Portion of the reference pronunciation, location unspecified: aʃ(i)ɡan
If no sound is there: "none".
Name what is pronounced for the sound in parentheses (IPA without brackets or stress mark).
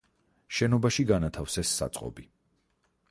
i